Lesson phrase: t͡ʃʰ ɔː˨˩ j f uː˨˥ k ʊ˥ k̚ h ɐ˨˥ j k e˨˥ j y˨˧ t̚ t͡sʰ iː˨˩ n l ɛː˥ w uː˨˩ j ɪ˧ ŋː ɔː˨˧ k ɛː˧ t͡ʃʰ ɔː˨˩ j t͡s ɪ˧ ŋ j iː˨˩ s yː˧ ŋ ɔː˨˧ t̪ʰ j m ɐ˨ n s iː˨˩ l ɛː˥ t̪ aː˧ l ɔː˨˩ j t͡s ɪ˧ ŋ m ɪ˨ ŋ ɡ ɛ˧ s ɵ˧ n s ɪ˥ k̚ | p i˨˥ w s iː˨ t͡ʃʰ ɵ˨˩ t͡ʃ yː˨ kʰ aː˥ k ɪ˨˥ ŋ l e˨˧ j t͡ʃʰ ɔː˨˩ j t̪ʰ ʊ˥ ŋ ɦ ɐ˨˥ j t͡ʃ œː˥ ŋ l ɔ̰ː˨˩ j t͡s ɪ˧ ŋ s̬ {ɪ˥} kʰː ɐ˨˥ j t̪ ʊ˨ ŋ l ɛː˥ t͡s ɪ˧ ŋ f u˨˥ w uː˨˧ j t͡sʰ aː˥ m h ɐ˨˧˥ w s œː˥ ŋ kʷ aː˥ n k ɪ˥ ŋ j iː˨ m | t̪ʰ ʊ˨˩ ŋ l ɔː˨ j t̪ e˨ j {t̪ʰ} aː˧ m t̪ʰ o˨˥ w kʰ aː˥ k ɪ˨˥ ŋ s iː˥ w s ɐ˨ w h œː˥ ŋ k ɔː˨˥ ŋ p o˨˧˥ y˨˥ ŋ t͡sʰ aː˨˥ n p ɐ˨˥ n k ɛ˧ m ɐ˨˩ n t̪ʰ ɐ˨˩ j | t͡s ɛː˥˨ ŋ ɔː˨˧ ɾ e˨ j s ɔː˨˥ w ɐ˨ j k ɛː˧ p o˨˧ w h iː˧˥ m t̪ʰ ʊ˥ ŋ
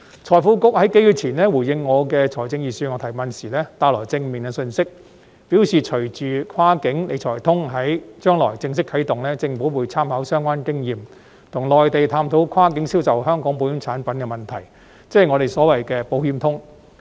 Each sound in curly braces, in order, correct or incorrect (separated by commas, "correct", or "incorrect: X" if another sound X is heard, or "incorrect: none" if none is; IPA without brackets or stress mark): correct, correct